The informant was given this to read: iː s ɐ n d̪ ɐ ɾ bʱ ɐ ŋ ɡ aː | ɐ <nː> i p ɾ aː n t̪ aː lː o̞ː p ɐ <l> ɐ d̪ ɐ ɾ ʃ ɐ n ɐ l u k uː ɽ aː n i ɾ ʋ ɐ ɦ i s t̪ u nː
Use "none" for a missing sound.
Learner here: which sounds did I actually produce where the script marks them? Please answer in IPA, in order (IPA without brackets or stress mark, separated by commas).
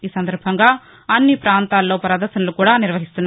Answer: nː, ɾ